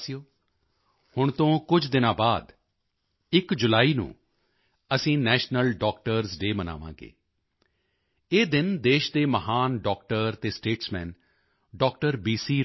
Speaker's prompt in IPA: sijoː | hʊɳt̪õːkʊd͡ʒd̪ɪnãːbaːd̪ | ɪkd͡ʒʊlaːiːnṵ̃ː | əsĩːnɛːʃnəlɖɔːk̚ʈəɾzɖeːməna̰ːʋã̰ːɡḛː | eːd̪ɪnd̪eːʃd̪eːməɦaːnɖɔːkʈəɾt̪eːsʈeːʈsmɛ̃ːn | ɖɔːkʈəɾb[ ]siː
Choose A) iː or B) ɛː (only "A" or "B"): A